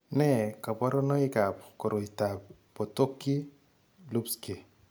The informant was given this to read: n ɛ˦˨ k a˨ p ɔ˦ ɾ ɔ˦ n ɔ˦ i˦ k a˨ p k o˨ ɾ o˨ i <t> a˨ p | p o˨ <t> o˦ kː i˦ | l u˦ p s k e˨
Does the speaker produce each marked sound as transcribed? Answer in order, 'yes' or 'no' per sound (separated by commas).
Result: yes, yes